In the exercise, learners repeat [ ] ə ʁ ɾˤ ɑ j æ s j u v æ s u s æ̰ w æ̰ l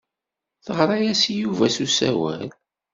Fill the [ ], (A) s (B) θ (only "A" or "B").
B